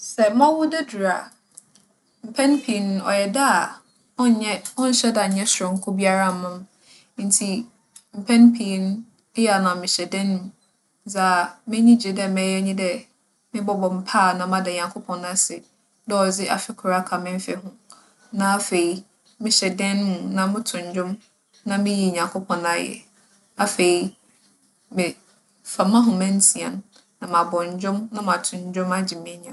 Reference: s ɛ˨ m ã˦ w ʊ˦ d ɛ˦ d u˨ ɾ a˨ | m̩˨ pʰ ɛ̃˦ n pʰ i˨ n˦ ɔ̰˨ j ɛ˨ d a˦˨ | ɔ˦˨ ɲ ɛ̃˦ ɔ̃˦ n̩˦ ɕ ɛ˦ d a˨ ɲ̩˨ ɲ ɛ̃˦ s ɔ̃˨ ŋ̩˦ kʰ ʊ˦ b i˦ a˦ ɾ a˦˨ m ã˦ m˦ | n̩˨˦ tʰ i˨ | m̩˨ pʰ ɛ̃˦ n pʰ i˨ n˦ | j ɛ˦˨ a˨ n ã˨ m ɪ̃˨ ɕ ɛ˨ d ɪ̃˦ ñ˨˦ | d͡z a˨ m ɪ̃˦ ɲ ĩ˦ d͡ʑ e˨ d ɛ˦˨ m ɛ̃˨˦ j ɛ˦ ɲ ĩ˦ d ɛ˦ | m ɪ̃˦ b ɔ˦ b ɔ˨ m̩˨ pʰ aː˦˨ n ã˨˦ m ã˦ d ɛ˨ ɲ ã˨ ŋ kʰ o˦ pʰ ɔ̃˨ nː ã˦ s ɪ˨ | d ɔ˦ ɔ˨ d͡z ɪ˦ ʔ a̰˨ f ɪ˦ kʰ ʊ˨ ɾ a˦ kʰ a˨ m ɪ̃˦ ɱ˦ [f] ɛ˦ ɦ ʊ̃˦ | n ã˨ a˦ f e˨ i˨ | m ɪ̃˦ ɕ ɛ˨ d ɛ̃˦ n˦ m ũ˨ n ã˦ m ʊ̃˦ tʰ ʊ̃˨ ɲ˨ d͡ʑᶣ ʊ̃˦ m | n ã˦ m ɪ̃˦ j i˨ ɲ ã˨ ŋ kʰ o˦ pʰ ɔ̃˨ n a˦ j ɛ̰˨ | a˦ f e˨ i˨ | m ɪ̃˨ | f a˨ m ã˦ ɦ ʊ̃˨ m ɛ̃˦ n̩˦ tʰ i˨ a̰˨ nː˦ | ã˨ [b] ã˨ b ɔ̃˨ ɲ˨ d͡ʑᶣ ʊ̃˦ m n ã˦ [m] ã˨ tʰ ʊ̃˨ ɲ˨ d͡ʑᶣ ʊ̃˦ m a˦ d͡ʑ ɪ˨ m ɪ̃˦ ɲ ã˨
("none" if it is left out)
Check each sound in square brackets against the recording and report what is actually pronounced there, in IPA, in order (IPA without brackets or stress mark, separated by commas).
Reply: f, m, m